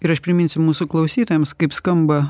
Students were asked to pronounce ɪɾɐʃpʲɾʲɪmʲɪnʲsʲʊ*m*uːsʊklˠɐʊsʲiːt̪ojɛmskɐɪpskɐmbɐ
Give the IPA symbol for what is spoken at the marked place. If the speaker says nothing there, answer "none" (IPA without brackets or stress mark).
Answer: m